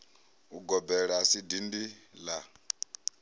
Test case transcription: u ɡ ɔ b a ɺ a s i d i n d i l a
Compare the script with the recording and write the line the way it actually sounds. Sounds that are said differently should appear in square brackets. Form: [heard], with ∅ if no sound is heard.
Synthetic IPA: u ɡ ɔ b [ɛ] ɺ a s i d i n d i l a